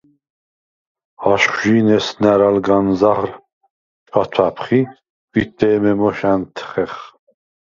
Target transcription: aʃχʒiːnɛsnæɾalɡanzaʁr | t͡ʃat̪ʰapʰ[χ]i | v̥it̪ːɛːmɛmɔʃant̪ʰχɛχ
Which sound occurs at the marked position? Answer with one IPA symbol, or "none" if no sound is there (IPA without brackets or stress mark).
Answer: χ